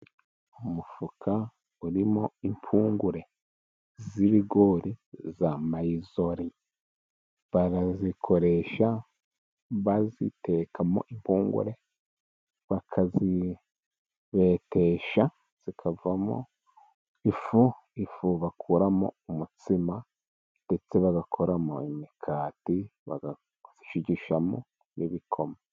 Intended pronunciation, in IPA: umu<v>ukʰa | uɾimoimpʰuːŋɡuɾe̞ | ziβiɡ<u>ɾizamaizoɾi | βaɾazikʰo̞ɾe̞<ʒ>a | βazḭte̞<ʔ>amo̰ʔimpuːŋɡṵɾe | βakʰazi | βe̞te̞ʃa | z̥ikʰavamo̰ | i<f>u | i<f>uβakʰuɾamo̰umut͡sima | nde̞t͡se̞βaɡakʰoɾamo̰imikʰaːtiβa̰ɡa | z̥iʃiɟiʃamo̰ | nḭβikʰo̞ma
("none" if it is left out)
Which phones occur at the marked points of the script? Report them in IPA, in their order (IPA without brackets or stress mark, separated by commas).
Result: f, o, ʃ, k, f, f